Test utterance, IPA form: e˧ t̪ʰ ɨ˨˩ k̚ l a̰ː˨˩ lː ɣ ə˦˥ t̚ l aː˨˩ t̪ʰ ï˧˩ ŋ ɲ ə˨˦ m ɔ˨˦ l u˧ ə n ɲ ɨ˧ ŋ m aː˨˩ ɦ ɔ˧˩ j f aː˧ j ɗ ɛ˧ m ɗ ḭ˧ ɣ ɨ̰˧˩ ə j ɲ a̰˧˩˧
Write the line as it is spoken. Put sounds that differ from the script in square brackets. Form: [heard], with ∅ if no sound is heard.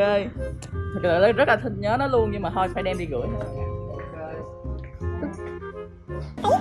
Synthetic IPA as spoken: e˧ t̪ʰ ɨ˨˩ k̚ l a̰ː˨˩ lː [z] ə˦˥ t̚ l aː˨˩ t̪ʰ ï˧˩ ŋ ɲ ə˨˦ [n] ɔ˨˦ l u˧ ə n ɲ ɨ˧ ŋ m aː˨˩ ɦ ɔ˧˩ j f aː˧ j ɗ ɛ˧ m ɗ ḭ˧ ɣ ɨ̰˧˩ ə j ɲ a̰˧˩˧